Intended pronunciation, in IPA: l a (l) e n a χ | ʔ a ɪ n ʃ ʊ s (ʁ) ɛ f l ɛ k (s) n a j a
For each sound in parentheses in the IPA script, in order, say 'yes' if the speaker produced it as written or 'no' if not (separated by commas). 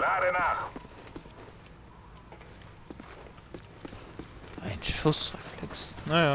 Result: no, yes, yes